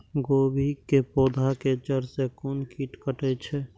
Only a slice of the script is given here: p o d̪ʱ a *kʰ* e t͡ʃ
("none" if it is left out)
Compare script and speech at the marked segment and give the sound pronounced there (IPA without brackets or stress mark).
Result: k